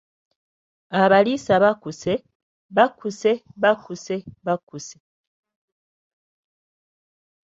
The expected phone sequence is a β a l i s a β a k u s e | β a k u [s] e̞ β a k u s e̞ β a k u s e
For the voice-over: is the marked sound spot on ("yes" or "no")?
yes